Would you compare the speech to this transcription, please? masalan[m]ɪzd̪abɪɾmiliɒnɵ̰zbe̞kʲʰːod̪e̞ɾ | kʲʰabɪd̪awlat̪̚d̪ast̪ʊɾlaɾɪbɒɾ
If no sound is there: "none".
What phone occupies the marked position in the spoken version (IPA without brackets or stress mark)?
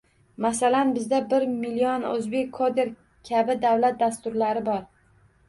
b